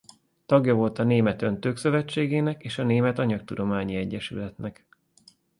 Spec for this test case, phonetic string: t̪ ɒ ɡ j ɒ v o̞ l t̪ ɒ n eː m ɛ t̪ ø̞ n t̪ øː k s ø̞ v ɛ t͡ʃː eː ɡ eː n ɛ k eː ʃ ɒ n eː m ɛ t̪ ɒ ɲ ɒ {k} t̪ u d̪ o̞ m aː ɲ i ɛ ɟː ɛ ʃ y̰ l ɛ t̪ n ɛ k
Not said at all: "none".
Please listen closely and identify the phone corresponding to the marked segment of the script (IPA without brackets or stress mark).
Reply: k